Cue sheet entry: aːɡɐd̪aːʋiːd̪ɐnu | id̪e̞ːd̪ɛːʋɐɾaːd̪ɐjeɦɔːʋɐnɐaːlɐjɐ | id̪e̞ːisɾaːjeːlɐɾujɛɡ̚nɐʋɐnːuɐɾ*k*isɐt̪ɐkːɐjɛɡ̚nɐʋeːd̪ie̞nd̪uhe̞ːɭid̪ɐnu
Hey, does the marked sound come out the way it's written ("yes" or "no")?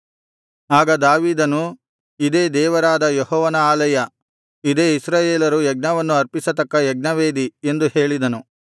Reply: no